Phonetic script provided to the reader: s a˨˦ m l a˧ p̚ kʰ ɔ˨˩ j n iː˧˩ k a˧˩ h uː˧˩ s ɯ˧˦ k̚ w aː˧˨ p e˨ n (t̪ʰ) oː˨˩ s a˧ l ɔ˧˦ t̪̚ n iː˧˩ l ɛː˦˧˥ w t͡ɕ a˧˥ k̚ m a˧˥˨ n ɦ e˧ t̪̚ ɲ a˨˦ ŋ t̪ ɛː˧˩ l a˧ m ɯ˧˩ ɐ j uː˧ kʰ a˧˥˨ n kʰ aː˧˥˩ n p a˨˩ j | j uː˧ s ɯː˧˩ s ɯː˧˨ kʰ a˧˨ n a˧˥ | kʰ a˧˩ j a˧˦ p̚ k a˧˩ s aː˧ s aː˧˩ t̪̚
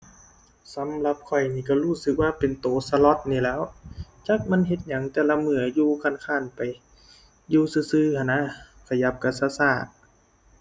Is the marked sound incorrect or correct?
incorrect